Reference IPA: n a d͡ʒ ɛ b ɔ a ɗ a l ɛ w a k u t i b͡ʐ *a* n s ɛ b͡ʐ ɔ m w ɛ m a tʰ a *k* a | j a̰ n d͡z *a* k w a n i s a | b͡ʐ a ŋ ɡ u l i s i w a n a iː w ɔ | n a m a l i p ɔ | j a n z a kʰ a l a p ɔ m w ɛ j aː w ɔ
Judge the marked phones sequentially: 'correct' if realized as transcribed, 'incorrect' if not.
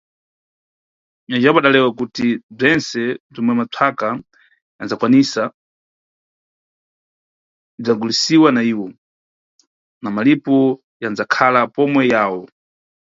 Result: incorrect, correct, correct

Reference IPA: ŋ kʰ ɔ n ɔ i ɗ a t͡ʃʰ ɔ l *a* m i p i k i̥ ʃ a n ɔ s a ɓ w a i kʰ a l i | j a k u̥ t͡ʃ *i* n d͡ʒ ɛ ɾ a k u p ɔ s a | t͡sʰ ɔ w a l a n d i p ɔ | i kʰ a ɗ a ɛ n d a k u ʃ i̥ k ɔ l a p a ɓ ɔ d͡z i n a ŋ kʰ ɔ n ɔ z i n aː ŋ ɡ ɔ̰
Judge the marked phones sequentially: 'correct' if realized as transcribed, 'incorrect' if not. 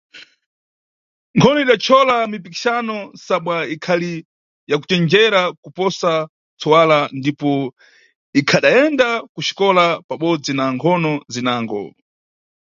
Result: correct, incorrect

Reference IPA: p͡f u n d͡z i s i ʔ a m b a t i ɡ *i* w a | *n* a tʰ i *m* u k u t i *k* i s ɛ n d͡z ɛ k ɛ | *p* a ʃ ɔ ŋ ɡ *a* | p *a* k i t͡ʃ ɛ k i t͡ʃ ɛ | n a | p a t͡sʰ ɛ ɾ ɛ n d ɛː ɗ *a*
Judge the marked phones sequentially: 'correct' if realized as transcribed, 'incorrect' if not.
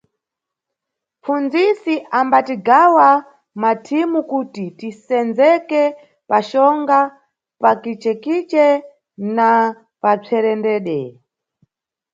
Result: incorrect, incorrect, correct, incorrect, correct, correct, correct, incorrect

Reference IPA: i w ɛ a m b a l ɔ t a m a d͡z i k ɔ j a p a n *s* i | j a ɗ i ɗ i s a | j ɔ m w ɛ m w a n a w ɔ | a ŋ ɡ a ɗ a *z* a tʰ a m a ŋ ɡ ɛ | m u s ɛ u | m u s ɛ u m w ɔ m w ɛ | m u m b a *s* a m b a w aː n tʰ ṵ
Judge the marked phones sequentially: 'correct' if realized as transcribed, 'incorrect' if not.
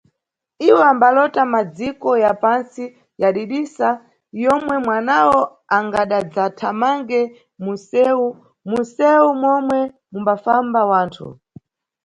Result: correct, incorrect, incorrect

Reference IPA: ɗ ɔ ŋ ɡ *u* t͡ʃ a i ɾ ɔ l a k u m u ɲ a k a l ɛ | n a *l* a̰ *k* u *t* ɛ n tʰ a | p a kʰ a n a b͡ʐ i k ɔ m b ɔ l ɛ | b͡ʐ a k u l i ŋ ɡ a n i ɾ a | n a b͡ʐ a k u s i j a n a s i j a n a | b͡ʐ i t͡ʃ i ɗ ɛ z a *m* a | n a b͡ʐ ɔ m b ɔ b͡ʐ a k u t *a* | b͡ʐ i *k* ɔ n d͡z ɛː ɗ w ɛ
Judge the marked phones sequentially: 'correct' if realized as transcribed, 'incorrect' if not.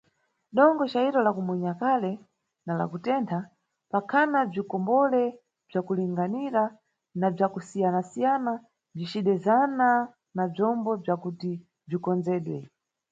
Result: incorrect, correct, correct, correct, incorrect, incorrect, correct

